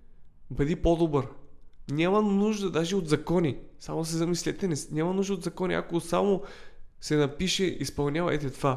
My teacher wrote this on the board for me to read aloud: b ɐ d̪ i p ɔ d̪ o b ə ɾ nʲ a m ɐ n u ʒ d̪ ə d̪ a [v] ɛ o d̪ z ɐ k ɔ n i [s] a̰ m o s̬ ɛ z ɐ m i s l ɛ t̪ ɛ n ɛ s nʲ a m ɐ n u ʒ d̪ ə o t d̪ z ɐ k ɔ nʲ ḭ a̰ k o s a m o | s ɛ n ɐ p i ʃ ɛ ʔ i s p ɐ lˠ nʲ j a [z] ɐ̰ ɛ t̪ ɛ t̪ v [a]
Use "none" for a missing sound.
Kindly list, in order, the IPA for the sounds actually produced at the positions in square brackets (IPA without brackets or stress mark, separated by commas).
ʒ, s, v, a